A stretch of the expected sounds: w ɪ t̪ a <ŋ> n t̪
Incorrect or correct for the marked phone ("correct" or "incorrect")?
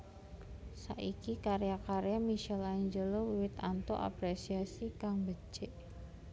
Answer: incorrect